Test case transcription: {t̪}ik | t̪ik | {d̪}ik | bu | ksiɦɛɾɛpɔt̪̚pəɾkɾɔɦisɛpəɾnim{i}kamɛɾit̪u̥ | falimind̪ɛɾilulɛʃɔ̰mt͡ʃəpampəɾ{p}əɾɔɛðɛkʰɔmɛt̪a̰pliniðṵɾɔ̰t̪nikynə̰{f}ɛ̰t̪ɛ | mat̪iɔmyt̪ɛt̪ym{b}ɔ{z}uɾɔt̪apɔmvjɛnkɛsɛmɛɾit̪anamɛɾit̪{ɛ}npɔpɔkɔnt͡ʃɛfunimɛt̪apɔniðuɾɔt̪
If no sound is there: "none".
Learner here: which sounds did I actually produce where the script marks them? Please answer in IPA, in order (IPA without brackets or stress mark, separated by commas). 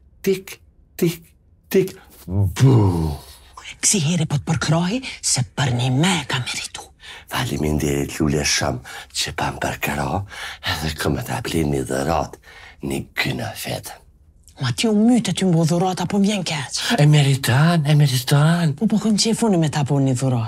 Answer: t̪, t̪, ɛ, k, f, b, ð, a